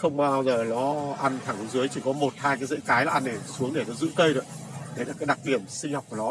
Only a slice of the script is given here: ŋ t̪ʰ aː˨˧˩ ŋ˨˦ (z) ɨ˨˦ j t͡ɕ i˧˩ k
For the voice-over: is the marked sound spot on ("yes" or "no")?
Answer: yes